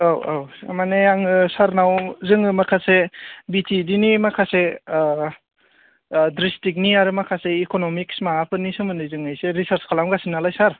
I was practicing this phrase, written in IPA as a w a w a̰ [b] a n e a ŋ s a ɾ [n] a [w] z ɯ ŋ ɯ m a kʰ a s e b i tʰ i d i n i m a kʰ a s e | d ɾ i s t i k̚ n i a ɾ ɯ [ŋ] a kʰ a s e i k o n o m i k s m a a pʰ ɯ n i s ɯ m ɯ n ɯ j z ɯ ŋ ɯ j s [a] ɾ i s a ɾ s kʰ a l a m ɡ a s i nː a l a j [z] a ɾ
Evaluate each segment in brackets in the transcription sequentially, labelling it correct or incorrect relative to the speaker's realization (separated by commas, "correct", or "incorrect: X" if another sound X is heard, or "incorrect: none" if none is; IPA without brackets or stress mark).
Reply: incorrect: m, correct, correct, incorrect: m, incorrect: e, incorrect: s